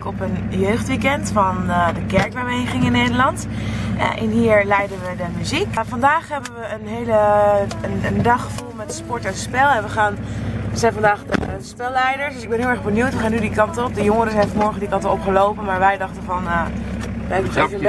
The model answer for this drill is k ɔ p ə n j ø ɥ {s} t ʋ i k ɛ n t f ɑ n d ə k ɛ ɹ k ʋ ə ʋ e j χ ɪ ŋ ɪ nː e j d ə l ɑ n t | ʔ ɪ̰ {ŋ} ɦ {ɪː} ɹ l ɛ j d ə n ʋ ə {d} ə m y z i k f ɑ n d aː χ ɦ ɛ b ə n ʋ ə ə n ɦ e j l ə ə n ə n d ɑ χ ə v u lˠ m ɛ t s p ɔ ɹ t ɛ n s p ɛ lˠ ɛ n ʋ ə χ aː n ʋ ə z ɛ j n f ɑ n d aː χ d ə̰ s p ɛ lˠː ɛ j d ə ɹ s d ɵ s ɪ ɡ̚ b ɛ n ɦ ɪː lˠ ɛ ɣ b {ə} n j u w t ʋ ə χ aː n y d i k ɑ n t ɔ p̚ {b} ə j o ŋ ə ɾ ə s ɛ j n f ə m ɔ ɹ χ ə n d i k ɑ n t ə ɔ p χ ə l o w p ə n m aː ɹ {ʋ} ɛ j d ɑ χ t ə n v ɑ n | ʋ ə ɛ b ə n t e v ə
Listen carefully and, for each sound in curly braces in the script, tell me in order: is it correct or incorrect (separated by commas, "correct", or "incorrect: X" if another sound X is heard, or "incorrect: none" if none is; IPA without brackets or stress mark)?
incorrect: χ, incorrect: n, incorrect: iː, correct, correct, incorrect: d, correct